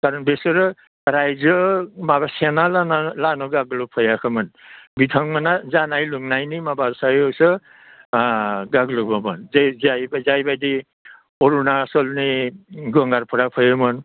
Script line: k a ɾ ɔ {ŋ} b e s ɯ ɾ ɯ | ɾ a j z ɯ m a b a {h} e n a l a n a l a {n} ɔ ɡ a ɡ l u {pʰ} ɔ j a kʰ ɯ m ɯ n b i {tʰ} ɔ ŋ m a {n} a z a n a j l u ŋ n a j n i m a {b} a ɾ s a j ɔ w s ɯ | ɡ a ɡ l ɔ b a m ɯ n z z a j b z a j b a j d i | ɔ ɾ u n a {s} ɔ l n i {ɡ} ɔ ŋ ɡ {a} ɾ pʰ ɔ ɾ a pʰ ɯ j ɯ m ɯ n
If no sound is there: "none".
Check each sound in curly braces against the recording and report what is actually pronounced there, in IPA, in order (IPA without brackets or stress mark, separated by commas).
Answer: n, s, n, pʰ, tʰ, n, b, s, ɡ, a